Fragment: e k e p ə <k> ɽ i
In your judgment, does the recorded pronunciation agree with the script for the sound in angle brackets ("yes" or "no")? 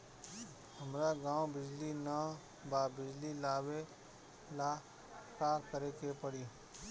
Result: no